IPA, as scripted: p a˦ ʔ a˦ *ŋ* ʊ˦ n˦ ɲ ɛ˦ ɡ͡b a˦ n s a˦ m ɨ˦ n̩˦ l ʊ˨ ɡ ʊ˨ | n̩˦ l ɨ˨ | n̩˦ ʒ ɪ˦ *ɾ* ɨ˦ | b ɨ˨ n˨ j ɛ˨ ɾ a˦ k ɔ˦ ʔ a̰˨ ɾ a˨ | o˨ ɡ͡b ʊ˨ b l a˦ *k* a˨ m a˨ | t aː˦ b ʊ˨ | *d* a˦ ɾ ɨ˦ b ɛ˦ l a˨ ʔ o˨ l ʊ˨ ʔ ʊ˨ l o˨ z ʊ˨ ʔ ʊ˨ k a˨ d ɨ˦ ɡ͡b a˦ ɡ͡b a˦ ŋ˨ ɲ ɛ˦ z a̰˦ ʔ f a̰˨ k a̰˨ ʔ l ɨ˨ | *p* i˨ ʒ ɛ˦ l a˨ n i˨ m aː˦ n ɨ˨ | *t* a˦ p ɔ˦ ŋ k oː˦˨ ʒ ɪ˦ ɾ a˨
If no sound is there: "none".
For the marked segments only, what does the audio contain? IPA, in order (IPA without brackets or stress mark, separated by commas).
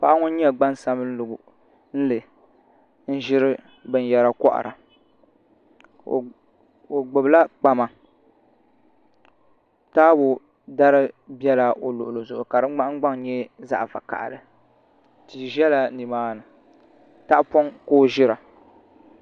ŋ, ɾ, k͡p, d, t, t